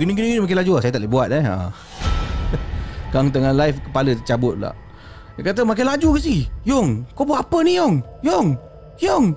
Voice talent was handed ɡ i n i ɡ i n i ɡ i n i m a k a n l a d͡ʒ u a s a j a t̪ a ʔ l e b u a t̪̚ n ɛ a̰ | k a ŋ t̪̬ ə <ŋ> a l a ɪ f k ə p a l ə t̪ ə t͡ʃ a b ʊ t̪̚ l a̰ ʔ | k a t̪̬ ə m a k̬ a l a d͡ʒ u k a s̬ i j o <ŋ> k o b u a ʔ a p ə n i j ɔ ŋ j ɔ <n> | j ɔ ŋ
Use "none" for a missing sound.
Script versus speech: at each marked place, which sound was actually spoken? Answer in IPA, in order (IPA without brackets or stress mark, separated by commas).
ŋ, ŋ, ŋ